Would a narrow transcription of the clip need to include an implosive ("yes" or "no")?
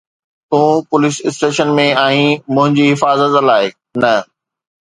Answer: no